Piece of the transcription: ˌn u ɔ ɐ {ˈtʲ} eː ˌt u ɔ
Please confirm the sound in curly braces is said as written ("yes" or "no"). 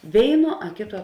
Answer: no